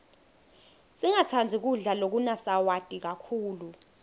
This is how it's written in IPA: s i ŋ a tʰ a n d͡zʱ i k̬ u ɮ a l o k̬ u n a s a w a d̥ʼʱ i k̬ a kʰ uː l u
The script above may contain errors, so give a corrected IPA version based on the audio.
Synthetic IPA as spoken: s i ŋ a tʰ a n d͡zʱ i k̬ u ɮ a l o k̬ u n a s a w a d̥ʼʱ i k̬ a kʰ uː l u

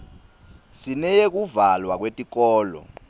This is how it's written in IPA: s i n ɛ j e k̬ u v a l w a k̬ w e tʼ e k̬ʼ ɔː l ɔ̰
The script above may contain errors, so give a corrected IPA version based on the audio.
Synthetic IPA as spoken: s i n ɛ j e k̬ u v a l w a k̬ w e tʼ i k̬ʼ ɔː l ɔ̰

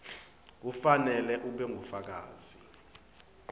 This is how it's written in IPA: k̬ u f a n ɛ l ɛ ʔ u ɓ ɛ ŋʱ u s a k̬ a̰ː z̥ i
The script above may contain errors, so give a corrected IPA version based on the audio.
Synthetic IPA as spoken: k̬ u f a n ɛ l ɛ ʔ u ɓ ɛ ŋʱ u f a k̬ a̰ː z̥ i

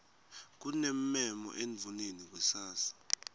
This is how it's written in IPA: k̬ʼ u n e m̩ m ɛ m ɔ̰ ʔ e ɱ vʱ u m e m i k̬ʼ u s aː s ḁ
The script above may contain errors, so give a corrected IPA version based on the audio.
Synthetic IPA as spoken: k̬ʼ u n e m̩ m ɛ m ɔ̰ ʔ e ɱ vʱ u n e n i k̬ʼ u s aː s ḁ

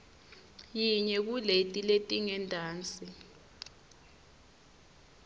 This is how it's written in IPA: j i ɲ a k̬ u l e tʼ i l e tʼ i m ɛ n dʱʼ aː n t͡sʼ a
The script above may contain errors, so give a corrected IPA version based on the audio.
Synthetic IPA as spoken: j i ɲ ɛ k̬ u l e tʼ i l e tʼ i ŋ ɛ n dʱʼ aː n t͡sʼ i

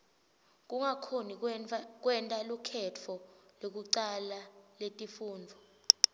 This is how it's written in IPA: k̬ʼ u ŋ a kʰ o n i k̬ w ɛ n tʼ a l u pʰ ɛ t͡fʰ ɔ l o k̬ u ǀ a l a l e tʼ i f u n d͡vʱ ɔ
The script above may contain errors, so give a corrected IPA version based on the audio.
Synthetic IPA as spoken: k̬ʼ u ŋ a kʰ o n i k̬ w ɛ n tʼ a l u kʰ ɛ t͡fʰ ɔ l o k̬ u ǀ a l a l e tʼ i f uː n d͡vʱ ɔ

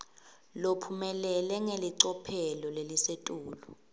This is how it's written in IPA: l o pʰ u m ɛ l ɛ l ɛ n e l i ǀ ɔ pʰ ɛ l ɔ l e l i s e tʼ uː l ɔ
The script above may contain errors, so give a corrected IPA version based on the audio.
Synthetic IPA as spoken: l o pʰ u m ɛ l ɛ l ɛ ŋ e l i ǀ ɔ pʰ ɛ l ɔ l e l i s e tʼ uː l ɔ

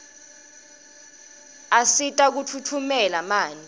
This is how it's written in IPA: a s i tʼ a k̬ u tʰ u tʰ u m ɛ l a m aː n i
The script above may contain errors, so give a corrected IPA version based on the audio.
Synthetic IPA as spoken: a s i tʼ a k̬ u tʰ u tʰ u m ɛ l a m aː n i

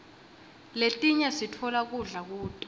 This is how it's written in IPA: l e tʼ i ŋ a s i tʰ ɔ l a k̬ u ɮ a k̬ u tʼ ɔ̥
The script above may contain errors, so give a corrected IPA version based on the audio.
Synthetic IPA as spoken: l e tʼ i ɲ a s i tʰ ɔ l a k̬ u ɮ a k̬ uː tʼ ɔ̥

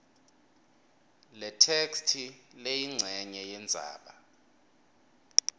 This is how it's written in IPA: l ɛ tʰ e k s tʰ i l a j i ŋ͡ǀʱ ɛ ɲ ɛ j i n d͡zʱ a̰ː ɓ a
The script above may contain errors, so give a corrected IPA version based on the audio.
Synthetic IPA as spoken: l ɛ tʰ e k s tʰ i l e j i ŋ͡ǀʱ ɛ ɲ ɛ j ɛ n d͡zʱ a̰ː ɓ a

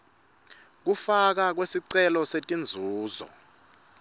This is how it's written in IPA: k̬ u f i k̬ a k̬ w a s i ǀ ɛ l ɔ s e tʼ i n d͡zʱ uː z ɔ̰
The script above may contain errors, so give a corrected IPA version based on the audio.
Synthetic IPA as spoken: k̬ u f a k̬ a k̬ w e s i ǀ ɛ l ɔ s e tʼ i n d͡zʱ uː z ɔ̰

